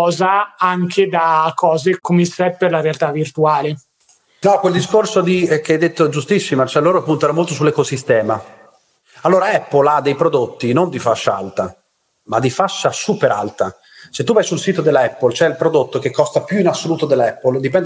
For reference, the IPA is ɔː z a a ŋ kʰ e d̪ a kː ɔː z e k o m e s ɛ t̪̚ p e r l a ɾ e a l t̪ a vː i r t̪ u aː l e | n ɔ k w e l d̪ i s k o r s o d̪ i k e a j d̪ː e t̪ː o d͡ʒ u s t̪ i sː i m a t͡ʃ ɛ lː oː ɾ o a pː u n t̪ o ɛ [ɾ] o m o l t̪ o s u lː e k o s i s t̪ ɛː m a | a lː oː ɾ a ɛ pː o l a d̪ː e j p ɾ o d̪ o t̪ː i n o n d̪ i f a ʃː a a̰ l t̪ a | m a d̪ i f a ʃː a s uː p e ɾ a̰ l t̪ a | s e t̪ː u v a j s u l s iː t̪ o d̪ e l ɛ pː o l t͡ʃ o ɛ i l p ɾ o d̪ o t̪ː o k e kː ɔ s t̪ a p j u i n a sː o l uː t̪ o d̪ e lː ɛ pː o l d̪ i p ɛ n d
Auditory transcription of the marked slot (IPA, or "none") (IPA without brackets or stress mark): ɾ